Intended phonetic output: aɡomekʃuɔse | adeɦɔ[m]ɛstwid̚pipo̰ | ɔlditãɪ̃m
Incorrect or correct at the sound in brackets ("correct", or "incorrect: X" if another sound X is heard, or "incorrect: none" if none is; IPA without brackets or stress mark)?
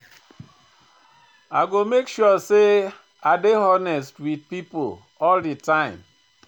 incorrect: n